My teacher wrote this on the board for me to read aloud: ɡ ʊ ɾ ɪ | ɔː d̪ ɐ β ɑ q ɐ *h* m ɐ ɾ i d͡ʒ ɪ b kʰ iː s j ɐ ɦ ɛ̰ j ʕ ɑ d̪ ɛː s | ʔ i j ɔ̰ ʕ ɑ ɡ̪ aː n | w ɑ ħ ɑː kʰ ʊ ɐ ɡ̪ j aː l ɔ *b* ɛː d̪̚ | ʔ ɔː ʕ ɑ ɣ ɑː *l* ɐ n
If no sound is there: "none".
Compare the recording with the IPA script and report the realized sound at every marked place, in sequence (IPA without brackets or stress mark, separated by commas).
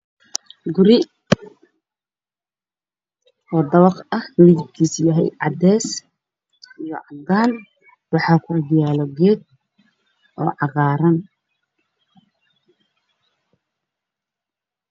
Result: h, ɡ, ɾ